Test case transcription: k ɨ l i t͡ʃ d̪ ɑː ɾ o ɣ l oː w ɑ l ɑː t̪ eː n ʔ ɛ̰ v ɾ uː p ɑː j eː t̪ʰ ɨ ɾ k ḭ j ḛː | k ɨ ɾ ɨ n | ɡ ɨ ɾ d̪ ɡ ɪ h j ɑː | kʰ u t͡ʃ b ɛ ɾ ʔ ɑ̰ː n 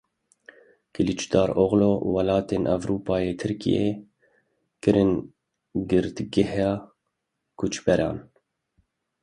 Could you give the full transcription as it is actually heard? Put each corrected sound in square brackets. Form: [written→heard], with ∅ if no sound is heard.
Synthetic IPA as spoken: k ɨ l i t͡ʃ d̪ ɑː ɾ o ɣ l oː w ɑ l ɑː t̪ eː n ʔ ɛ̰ v ɾ uː p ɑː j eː t̪ʰ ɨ ɾ k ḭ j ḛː | k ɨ ɾ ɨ n | ɡ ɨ ɾ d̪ ɡ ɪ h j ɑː | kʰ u t͡ʃ b ɛ ɾ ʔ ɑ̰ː n